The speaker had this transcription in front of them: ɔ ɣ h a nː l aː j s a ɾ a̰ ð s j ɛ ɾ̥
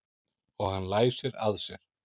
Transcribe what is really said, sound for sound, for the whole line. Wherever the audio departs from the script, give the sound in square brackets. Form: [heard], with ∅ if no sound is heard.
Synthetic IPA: ɔ ɣ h a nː l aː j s [ɛ] ɾ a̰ ð s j ɛ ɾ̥